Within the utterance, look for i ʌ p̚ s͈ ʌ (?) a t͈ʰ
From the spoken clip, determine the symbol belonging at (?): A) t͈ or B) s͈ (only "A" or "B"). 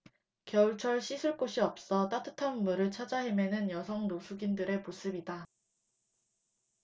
A